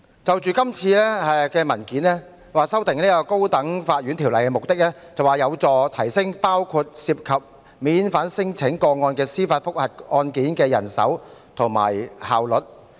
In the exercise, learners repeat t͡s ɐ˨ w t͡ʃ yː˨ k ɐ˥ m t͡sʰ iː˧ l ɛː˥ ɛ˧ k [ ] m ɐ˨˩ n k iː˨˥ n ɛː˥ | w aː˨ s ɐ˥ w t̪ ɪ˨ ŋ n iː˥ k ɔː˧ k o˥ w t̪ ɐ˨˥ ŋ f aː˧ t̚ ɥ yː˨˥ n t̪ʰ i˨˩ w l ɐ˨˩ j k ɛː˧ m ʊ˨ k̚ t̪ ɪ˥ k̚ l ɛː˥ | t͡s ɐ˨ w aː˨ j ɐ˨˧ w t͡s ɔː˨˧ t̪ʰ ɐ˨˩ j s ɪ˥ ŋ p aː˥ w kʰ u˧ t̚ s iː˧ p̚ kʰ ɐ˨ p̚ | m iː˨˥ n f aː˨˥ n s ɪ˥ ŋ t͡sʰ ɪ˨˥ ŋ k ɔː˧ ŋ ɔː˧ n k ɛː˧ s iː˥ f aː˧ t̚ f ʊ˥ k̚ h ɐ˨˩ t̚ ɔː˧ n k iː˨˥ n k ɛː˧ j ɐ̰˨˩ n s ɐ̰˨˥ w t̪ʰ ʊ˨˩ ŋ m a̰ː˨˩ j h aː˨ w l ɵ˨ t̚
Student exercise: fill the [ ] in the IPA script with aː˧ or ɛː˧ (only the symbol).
ɛː˧